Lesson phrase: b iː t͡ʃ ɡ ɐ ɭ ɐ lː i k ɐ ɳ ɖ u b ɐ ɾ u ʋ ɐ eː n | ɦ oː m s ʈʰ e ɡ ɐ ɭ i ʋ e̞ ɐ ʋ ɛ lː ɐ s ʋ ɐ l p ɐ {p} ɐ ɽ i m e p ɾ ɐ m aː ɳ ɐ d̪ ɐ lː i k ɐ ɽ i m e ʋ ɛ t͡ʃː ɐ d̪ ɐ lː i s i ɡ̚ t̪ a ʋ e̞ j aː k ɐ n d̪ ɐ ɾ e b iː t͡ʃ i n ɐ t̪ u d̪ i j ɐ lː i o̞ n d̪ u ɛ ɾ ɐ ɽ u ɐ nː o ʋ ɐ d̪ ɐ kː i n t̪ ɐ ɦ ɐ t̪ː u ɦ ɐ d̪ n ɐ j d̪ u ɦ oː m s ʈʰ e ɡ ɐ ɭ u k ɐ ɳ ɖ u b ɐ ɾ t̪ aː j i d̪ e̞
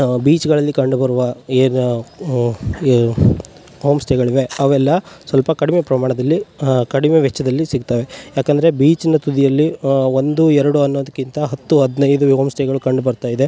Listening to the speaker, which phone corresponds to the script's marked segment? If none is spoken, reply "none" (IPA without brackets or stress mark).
k